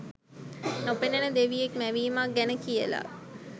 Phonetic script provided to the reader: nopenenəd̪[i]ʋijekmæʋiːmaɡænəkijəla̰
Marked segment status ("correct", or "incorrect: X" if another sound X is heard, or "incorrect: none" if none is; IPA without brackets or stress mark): incorrect: e